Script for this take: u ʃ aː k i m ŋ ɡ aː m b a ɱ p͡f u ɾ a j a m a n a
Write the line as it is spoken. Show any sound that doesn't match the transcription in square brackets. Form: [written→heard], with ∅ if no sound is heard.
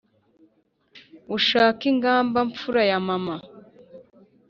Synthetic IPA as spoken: u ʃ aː k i [m→∅] ŋ ɡ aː m b a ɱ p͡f u ɾ a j a m a [n→m] a